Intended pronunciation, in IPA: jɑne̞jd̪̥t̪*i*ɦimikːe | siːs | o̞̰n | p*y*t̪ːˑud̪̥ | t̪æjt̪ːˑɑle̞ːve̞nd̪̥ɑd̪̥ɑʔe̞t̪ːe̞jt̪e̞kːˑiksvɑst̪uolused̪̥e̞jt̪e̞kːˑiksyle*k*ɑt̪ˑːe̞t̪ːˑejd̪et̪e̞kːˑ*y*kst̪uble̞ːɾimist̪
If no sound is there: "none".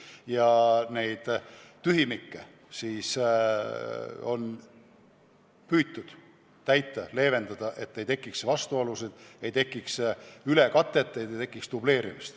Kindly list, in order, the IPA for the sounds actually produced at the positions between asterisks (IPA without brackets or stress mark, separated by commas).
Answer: y, yː, k, i